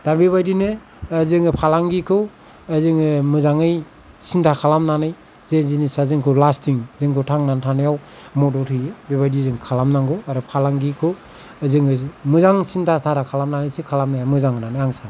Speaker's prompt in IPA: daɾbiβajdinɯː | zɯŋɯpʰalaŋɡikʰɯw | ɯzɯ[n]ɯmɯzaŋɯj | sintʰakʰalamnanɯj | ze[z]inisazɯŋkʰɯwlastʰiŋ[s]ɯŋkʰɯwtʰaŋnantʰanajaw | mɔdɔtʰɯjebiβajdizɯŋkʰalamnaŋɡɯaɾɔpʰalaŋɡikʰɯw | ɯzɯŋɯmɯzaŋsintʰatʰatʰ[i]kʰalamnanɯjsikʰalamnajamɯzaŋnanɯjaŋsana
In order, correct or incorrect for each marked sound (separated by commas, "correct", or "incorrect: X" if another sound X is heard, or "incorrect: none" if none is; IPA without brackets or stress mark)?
incorrect: ŋ, correct, incorrect: z, incorrect: a